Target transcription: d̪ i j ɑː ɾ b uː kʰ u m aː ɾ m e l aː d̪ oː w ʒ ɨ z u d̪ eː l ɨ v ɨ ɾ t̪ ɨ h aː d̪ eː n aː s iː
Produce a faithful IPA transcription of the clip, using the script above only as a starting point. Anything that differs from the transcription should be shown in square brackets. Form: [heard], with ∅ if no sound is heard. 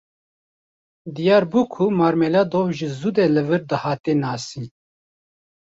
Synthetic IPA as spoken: d̪ i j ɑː ɾ b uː kʰ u m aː ɾ m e l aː d̪ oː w ʒ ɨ z u d̪ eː l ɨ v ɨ ɾ [d̪] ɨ h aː [t̪] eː n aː s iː